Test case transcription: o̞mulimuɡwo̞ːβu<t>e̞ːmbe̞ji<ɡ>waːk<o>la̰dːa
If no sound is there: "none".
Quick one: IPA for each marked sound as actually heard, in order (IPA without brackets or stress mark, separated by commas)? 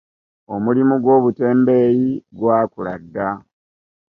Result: t, ɡ, u